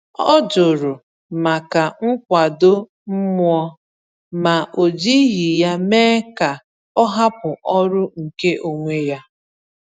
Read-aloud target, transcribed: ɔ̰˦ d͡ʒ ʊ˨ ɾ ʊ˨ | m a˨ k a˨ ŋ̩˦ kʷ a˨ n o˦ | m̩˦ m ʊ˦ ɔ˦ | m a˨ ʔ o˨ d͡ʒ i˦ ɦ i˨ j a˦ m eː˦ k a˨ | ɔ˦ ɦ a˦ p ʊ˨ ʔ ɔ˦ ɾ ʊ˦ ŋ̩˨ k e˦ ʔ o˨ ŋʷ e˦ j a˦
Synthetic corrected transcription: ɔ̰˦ d͡ʒ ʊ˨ ɾ ʊ˨ | m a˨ k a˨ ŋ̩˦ kʷ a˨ d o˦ | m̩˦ m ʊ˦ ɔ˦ | m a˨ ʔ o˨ d͡ʒ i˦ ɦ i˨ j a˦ m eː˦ k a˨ | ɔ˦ ɦ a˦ p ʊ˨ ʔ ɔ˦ ɾ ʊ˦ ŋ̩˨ k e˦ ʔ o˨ ŋʷ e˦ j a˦